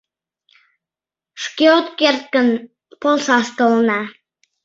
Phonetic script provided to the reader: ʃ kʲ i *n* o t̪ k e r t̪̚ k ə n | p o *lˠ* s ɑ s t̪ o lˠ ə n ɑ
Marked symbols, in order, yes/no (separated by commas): no, yes